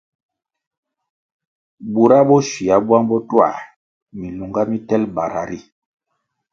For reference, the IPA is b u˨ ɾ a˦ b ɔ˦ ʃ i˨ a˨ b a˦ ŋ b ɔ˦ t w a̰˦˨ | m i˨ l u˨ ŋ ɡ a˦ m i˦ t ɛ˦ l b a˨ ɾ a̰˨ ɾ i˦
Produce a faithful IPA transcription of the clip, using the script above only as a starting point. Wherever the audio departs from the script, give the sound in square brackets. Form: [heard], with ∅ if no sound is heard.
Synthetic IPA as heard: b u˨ ɾ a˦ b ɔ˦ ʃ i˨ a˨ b a˦ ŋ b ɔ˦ t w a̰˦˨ | m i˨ l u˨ ŋ ɡ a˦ m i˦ t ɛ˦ l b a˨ ɾ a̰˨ ɾ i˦